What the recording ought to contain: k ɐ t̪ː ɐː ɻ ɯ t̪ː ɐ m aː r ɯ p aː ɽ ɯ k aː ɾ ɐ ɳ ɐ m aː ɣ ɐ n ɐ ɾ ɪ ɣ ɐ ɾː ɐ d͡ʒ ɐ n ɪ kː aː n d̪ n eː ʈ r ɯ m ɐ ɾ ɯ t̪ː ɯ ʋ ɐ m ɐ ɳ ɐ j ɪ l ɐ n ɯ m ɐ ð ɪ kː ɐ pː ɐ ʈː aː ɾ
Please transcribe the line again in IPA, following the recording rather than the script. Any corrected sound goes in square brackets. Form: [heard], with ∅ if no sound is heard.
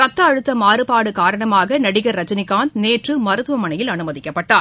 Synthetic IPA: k ɐ t̪ː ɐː ɻ ɯ t̪ː ɐ m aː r ɯ p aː ɽ ɯ k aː ɾ ɐ ɳ ɐ m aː ɣ ɐ n ɐ [ɽ] ɪ ɣ ɐ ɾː ɐ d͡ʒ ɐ n ɪ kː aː n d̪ n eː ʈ r ɯ m ɐ ɾ ɯ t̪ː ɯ ʋ ɐ m ɐ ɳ ɐ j ɪ l ɐ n ɯ m ɐ ð ɪ kː ɐ pː ɐ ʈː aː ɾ

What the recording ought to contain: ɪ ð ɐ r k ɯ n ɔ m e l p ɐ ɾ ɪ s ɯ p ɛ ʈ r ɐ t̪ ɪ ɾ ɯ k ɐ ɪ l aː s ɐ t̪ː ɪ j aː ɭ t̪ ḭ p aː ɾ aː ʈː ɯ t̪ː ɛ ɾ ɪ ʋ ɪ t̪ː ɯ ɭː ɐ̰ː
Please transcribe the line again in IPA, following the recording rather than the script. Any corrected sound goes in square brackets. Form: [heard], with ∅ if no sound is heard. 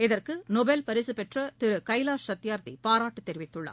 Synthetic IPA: ɪ ð ɐ r k ɯ n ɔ [b] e l p ɐ ɾ ɪ s ɯ p ɛ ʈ r ɐ t̪ ɪ ɾ ɯ k ɐ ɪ l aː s ɐ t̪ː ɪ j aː [ɾ] t̪ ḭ p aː ɾ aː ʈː ɯ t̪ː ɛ ɾ ɪ ʋ ɪ t̪ː ɯ ɭː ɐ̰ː

